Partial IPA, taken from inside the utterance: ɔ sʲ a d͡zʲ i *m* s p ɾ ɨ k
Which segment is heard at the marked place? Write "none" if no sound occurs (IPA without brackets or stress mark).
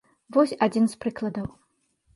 n